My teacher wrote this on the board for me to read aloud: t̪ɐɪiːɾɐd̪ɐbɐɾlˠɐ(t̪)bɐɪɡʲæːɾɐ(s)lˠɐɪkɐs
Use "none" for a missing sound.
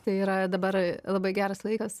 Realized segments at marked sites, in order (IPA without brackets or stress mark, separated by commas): none, s